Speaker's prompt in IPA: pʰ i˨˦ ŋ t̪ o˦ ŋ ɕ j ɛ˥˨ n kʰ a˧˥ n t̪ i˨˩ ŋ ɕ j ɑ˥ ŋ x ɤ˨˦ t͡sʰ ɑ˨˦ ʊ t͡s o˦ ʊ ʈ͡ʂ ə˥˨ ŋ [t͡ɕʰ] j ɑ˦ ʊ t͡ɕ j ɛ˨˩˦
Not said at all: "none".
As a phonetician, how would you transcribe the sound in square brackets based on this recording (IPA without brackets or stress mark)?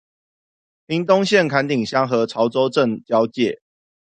t͡ɕ